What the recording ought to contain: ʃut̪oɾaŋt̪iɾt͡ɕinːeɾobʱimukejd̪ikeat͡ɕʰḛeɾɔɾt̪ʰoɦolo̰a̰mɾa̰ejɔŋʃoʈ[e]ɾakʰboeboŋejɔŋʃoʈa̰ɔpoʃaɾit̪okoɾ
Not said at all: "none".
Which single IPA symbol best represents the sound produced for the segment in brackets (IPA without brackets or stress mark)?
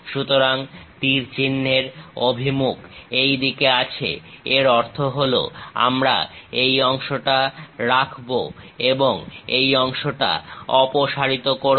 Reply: a